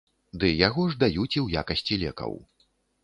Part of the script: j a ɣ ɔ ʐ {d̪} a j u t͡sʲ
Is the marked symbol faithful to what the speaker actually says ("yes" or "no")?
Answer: yes